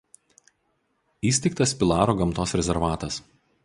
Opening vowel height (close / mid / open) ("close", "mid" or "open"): close